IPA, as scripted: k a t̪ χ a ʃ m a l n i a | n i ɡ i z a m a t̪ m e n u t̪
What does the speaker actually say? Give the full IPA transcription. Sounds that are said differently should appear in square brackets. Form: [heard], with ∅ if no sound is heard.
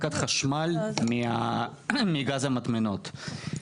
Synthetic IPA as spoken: k a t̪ χ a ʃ m a l [m] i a | [m] i ɡ [a] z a m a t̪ m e n [o] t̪